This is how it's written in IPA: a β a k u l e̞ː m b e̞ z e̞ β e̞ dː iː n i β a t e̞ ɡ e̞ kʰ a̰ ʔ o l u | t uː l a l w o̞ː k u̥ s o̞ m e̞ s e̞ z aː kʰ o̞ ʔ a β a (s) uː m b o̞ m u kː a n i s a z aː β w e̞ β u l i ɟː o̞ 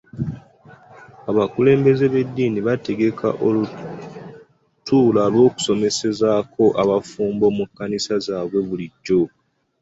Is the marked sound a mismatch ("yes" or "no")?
yes